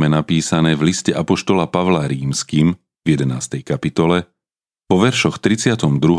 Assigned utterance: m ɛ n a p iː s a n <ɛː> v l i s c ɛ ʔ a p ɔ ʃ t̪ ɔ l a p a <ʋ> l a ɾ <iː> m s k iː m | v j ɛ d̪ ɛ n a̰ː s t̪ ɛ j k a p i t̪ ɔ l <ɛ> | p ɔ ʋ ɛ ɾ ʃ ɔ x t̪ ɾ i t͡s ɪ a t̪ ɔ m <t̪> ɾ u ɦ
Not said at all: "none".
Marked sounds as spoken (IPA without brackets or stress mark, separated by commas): ɛː, ʋ, iː, ɛ, d̪